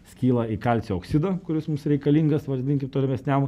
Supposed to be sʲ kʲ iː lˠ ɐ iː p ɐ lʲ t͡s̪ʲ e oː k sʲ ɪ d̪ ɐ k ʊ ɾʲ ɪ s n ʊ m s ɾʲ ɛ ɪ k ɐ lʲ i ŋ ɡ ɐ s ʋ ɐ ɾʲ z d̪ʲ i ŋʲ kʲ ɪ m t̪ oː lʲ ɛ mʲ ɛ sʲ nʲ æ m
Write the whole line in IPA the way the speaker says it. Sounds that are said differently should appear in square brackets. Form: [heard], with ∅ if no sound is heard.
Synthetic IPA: sʲ kʲ iː lˠ ɐ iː [k] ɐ lʲ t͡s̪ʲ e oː k sʲ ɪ d̪ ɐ k ʊ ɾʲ ɪ s [m] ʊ m s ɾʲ ɛ ɪ k ɐ lʲ i ŋ ɡ ɐ s ʋ ɐ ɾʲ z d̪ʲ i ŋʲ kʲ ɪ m t̪ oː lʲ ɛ mʲ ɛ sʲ nʲ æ m